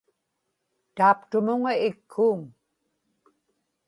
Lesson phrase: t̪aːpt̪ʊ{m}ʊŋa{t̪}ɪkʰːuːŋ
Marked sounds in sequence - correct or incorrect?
correct, incorrect: none

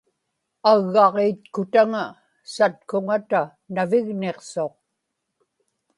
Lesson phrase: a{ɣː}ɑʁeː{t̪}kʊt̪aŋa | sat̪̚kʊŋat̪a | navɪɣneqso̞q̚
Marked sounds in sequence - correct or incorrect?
correct, correct

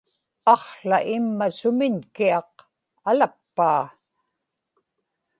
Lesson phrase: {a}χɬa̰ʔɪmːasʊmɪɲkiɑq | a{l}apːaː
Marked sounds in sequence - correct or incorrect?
incorrect: ɑ, correct

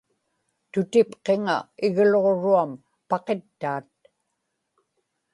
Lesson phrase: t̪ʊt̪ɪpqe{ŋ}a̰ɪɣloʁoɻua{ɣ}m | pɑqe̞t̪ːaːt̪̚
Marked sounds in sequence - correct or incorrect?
correct, incorrect: none

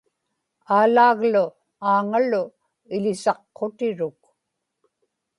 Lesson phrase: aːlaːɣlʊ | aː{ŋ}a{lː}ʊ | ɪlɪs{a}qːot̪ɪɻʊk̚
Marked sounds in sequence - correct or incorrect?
correct, incorrect: l, incorrect: ɑ

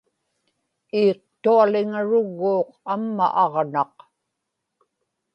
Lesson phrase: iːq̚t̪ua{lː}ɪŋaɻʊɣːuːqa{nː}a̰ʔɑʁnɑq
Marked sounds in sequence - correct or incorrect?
incorrect: l, incorrect: mː

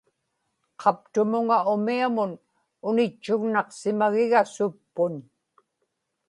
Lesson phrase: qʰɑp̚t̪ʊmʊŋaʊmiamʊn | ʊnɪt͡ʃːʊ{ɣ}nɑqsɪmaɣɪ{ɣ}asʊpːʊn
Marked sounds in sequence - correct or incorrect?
correct, correct

